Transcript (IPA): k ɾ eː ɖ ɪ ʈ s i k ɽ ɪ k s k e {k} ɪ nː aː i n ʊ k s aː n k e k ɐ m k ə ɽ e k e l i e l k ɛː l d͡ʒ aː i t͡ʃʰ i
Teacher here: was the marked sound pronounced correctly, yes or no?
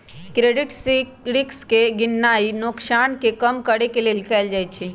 no